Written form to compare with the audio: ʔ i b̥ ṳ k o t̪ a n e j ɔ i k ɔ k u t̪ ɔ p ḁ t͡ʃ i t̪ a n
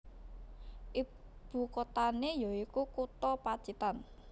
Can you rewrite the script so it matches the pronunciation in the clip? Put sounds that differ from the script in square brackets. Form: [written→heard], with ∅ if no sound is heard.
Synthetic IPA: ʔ i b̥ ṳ k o t̪ a n e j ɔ i k [ɔ→u] k u t̪ ɔ p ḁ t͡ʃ i t̪ a n